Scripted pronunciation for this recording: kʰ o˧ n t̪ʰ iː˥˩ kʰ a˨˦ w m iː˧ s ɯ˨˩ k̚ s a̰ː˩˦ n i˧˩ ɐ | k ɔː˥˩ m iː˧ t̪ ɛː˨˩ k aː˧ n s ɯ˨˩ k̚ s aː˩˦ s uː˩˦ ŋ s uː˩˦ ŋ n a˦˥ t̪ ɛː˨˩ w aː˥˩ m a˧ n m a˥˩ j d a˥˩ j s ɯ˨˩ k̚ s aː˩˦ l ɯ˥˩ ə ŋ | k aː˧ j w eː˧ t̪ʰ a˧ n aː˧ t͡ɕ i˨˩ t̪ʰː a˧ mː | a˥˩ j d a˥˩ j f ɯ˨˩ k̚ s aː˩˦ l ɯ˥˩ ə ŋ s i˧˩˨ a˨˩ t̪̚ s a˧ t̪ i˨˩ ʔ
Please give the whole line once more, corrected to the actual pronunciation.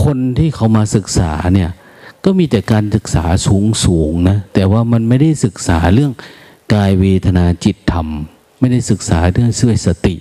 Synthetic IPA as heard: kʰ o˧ n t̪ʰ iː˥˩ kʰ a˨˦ w m aː˧ s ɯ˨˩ k̚ s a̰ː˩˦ n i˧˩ ɐ | k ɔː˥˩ m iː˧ t̪ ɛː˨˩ k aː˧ n s ɯ˨˩ k̚ s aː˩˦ s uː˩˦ ŋ s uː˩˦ ŋ n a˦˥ t̪ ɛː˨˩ w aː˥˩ m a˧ n m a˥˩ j d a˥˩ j s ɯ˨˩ k̚ s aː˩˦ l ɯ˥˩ ə ŋ | k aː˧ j w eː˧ t̪ʰ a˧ n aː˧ t͡ɕ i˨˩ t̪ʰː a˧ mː | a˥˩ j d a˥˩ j s ɯ˨˩ k̚ s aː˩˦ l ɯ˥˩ ə ŋ s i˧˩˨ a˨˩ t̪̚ s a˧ t̪ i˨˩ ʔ